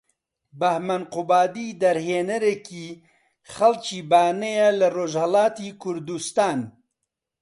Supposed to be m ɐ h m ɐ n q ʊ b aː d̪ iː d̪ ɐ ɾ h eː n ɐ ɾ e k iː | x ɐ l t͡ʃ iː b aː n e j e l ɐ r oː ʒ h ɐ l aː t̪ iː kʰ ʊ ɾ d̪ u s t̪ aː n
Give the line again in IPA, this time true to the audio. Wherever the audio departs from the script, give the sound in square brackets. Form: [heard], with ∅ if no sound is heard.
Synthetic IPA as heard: [b] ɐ h m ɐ n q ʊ b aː d̪ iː d̪ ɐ ɾ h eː n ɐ ɾ e k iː | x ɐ l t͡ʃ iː b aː n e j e l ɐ r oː ʒ h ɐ l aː t̪ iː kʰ ʊ ɾ d̪ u s t̪ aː n